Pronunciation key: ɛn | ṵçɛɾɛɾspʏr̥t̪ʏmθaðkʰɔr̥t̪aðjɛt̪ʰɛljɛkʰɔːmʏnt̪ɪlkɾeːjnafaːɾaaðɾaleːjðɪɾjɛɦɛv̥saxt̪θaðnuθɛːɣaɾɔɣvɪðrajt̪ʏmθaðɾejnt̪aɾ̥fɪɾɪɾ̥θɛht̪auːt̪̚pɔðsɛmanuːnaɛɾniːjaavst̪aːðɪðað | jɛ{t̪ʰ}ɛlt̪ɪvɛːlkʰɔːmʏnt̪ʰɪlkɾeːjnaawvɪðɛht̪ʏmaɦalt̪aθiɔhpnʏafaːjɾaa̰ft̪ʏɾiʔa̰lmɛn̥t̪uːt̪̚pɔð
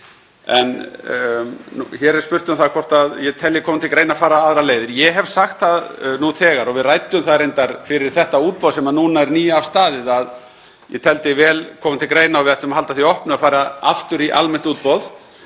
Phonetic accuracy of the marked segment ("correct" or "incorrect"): correct